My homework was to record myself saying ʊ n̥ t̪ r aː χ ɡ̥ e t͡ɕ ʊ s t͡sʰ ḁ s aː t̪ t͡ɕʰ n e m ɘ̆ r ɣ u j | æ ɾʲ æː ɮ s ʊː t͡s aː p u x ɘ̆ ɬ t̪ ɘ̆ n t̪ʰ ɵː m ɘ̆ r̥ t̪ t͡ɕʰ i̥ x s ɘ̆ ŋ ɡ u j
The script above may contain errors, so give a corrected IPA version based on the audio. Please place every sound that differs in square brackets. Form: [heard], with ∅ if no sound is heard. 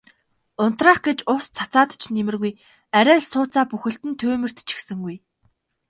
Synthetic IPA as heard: ʊ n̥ t̪ r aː χ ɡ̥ e t͡ɕ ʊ s t͡sʰ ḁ [t͡s] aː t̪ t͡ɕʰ n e m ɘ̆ r ɣ u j | æ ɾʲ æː ɮ s ʊː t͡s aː p u x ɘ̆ ɬ t̪ ɘ̆ n t̪ʰ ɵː m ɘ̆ r̥ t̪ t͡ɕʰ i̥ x s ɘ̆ ŋ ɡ u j